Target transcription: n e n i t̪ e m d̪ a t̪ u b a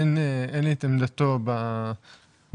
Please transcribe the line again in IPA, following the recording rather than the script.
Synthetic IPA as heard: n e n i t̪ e m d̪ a t̪ o b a